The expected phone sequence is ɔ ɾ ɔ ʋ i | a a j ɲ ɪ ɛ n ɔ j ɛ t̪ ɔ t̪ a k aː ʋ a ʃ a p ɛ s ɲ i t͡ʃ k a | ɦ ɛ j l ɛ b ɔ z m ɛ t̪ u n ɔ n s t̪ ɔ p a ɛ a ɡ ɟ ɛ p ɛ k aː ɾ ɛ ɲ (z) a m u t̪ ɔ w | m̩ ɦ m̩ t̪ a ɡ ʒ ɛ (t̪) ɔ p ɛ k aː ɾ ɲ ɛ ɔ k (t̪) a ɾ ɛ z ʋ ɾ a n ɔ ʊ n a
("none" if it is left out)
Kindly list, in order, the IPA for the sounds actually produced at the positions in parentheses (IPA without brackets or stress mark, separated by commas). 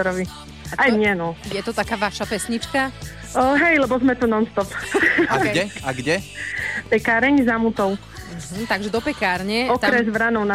z, d̪, t̪